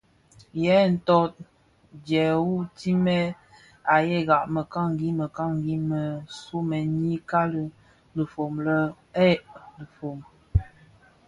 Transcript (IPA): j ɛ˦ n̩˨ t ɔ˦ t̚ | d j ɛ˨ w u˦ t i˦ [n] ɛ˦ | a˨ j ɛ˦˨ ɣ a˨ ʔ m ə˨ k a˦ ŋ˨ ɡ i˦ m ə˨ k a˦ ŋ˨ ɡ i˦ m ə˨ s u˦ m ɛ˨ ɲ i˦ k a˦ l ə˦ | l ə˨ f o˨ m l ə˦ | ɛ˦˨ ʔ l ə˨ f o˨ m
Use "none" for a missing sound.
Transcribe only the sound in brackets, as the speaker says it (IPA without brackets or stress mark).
m